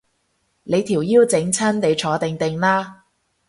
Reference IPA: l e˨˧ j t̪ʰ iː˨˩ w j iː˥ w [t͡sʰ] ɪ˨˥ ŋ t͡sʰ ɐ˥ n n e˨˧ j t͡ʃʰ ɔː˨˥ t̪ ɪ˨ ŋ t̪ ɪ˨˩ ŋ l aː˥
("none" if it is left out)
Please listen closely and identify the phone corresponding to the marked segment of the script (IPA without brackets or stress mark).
t͡s